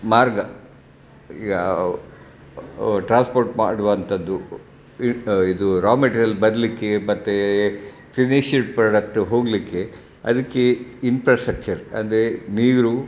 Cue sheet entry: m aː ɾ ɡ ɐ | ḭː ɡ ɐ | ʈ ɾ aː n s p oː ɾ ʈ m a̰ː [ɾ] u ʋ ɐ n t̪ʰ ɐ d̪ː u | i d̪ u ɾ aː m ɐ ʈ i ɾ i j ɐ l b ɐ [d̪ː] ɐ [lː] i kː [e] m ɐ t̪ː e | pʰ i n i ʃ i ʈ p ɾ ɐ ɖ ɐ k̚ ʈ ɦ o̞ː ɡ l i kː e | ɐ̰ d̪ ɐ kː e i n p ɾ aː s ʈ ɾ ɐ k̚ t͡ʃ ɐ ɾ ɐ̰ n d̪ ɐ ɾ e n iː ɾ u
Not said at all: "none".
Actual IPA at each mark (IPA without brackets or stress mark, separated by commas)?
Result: ɽ, d̪, l, e